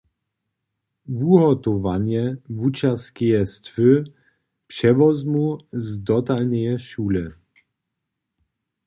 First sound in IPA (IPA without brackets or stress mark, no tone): v